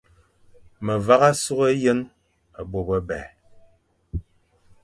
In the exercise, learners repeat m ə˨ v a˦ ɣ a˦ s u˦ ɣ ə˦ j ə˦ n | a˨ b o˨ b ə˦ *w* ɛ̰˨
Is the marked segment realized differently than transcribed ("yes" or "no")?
yes